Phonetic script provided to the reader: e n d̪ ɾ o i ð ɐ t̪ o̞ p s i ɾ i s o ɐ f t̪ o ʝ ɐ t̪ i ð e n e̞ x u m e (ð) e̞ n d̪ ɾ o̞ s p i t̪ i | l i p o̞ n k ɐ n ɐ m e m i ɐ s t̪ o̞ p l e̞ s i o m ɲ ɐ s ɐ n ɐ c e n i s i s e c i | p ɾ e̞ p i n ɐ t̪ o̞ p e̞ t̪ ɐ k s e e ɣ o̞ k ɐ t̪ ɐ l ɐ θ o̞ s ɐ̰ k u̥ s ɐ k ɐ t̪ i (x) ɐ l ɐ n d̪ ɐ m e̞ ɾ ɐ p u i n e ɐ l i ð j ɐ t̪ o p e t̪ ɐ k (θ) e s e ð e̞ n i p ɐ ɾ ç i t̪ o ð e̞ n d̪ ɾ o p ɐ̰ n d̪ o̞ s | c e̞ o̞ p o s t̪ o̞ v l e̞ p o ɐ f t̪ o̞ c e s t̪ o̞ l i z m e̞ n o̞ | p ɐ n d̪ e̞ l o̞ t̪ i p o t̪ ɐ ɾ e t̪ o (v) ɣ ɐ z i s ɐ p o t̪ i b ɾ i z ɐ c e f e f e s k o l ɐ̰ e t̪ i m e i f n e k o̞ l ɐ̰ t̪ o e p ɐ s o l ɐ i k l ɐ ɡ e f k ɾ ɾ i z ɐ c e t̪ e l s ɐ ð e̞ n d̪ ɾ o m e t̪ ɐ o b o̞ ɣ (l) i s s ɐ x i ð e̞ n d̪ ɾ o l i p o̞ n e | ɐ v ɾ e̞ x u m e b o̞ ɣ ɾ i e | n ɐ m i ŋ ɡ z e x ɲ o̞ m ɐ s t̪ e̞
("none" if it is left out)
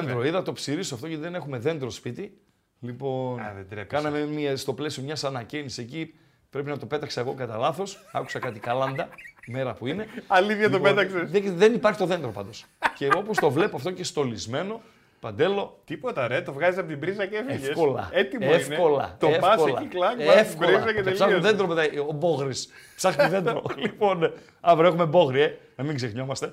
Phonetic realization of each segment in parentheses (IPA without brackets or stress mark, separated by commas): ð, k, s, v, ɾ